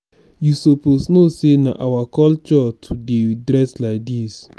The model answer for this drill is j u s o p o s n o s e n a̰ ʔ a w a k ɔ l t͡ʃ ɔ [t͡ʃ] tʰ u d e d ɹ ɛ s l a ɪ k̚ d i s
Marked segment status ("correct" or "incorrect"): incorrect